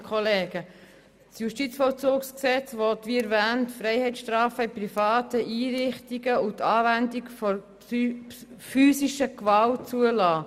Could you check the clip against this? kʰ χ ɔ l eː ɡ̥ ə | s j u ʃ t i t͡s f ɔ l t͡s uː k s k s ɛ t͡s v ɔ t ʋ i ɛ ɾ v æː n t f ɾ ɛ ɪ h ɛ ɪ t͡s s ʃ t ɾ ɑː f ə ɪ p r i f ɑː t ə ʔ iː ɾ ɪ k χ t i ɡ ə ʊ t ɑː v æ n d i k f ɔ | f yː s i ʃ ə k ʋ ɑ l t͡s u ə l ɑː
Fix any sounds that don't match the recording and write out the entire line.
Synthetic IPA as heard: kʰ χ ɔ l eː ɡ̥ ə | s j u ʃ t i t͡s f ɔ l t͡s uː k s k s ɛ t͡s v ɔ t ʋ i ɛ ɾ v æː n t f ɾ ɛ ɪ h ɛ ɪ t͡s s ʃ t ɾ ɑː f ə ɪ p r i f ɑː t ə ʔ iː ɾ ɪ χ t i ɡ ə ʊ t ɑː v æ n d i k f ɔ | f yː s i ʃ ə k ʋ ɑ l t͡s u ə l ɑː